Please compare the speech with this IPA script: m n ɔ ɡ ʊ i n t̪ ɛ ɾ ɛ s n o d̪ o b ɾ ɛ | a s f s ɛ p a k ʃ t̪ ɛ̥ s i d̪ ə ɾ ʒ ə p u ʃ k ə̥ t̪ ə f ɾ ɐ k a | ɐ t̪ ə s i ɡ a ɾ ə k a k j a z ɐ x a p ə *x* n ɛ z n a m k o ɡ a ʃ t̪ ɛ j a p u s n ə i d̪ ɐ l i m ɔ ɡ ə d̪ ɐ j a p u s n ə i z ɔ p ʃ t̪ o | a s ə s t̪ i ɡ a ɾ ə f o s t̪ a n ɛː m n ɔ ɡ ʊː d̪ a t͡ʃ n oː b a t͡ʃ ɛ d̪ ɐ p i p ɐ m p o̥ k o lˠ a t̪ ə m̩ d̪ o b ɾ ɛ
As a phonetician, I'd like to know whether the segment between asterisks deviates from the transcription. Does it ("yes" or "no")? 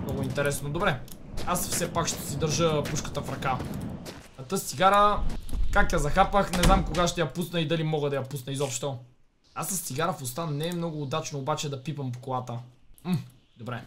no